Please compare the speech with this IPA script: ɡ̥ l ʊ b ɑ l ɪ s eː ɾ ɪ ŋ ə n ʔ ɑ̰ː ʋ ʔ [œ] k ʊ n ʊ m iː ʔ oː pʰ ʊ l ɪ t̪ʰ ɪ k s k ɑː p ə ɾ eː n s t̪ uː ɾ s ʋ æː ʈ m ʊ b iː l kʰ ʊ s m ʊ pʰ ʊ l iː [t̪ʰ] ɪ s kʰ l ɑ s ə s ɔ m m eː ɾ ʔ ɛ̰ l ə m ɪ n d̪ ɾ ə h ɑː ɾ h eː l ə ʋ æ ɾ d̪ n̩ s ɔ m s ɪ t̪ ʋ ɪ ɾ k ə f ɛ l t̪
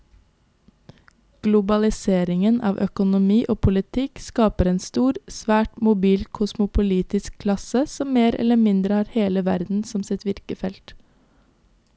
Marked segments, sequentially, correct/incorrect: correct, incorrect: t̪

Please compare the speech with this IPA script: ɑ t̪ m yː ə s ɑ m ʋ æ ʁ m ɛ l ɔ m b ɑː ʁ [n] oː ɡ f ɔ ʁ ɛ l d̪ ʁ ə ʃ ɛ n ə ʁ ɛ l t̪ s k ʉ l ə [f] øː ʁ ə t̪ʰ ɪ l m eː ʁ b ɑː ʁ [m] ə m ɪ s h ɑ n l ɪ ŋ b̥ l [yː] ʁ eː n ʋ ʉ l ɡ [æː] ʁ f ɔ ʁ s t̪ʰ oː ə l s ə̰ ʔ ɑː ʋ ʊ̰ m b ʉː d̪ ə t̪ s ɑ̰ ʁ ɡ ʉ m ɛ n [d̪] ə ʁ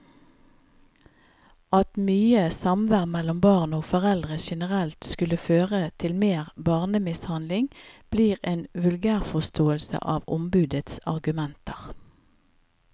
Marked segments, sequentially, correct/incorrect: correct, correct, incorrect: n, incorrect: iː, correct, incorrect: t̪

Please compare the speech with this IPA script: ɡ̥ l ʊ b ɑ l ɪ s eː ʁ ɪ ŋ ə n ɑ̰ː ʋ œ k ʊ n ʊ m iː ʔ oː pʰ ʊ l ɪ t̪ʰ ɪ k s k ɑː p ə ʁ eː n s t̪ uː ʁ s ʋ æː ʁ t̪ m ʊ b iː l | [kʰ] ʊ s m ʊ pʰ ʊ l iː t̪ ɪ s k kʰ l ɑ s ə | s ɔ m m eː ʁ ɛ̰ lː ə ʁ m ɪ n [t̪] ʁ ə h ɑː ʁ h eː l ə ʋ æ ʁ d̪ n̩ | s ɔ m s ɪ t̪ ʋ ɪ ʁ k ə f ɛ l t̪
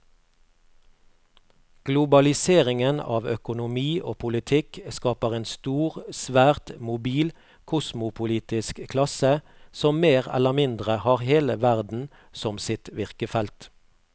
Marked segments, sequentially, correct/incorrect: correct, incorrect: d̪

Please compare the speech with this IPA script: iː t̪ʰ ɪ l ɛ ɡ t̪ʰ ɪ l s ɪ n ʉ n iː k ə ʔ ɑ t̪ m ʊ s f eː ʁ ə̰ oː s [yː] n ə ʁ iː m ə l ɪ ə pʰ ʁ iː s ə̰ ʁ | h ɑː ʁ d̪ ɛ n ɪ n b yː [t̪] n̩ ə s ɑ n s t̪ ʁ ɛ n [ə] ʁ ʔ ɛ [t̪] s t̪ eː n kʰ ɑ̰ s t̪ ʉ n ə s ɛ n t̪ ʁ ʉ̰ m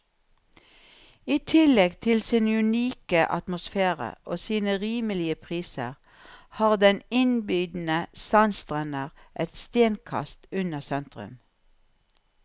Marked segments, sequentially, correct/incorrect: incorrect: iː, incorrect: d̪, correct, correct

